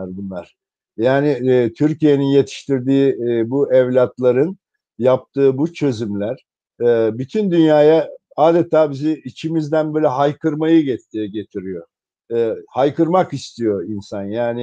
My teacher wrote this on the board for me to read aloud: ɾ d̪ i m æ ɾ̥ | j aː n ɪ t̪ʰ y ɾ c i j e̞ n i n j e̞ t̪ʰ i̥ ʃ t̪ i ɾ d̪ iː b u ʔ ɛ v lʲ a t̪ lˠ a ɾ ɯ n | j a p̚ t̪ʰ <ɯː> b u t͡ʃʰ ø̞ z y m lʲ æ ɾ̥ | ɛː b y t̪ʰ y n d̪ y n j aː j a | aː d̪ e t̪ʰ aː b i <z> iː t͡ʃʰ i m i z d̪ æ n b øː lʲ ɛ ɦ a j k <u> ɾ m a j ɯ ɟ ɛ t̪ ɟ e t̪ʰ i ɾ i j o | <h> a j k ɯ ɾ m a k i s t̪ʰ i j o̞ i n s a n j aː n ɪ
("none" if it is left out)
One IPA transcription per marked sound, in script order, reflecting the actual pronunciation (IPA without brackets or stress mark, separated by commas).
ɯː, z, ɯ, h